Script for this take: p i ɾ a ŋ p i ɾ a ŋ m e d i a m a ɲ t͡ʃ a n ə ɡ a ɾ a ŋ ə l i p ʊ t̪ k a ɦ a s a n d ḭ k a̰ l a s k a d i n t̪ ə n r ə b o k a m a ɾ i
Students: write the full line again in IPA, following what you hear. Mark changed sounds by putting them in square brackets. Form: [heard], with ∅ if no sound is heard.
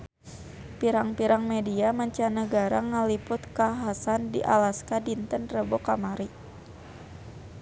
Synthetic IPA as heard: p i ɾ a ŋ p i ɾ a ŋ m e d i a m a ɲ t͡ʃ a n ə ɡ a ɾ a ŋ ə l i p ʊ t̪ k a ɦ a s a n d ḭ [ʔ] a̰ l a s k a d i n t̪ ə n r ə b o k a m a ɾ i